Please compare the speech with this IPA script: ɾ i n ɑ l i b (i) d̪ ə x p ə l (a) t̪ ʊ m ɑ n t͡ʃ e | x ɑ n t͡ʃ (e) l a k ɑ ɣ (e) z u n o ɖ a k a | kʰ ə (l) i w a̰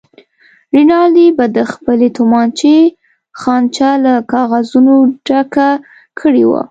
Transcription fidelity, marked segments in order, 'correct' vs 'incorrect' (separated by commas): incorrect, incorrect, incorrect, incorrect, incorrect